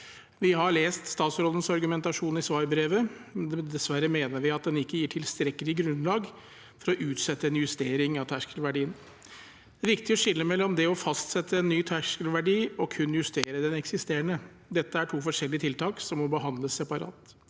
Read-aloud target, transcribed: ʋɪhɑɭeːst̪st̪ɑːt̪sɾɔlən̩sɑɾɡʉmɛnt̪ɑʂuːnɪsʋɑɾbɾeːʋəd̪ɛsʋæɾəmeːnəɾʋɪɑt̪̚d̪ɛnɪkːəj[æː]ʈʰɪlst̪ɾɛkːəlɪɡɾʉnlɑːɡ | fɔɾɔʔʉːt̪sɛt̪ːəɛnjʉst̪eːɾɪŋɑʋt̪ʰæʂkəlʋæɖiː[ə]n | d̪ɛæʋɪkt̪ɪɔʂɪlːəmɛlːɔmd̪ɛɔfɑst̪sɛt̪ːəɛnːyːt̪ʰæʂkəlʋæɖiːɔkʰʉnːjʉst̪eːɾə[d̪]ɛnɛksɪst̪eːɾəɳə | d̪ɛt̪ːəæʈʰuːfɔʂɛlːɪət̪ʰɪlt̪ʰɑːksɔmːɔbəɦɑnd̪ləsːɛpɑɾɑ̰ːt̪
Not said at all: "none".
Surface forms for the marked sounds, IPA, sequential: iː, ə, d̪

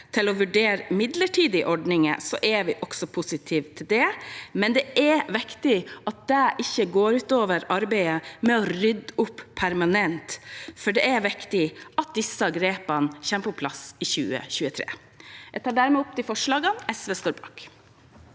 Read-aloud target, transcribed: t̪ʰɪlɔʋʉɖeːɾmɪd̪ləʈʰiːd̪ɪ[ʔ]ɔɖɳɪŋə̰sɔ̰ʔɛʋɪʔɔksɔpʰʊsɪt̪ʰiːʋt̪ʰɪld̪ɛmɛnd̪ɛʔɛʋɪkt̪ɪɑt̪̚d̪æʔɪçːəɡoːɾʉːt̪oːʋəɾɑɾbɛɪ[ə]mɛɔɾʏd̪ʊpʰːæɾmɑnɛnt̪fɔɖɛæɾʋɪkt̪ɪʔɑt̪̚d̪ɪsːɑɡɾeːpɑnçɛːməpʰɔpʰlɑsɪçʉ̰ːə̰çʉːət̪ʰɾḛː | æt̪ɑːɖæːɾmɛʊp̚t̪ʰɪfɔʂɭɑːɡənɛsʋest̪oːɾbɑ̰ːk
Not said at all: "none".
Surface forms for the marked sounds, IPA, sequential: ʔ, ə

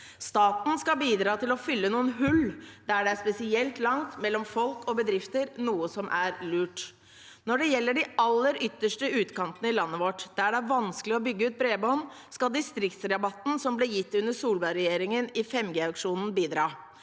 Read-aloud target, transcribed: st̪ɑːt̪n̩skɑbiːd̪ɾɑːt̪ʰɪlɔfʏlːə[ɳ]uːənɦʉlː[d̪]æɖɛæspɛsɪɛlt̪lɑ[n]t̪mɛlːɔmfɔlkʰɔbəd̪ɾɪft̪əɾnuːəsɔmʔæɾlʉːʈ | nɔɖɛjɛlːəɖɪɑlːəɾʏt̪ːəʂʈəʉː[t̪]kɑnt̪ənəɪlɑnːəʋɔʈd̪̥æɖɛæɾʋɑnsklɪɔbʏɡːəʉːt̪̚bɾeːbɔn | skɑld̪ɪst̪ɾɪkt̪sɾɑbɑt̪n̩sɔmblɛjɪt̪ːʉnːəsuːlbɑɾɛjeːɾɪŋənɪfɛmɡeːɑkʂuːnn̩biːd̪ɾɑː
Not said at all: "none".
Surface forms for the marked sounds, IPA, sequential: n, d̪, ŋ, t̪

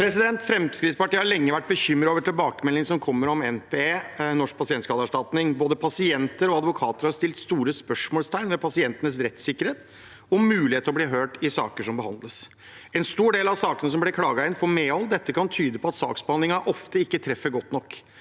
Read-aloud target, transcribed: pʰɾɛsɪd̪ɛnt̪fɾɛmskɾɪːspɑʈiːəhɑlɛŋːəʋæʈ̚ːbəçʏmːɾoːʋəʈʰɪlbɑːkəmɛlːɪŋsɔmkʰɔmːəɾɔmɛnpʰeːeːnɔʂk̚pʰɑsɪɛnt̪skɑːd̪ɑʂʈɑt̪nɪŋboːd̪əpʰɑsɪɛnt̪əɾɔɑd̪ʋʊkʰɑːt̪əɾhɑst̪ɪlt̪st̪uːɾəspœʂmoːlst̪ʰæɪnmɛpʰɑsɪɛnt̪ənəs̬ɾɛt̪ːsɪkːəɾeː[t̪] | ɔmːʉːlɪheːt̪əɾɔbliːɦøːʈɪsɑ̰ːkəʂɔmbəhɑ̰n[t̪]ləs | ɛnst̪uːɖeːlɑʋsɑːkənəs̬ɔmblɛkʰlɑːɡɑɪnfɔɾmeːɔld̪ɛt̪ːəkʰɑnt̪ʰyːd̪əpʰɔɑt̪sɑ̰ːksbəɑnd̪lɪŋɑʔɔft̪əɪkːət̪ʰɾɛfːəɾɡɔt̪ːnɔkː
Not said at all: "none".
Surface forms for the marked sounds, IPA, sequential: t̪, d̪

